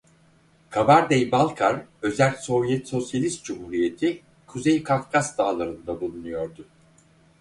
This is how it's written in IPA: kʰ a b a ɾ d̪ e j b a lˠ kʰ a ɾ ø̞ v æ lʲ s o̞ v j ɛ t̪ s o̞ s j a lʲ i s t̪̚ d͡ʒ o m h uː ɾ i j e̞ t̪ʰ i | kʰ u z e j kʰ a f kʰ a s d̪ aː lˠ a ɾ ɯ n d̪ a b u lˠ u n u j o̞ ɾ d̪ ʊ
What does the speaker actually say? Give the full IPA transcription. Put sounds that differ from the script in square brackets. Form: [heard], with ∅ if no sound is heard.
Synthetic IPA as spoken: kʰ a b a ɾ d̪ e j b a lˠ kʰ a ɾ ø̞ [z] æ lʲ s o̞ v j ɛ t̪ s o̞ s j a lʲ i s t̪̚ d͡ʒ [u] m h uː ɾ i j e̞ t̪ʰ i | kʰ u z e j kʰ a f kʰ a s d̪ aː lˠ a ɾ ɯ n d̪ a b u lˠ u n u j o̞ ɾ d̪ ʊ